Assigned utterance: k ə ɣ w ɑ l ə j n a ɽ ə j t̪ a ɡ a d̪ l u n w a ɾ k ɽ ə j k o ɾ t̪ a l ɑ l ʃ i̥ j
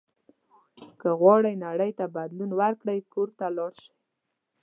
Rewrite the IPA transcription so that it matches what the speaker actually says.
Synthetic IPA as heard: k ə ɣ w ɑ ɽ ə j n a ɽ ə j t̪ a b a d̪ l u n w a ɾ k ɽ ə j k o ɾ t̪ a l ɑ ɽ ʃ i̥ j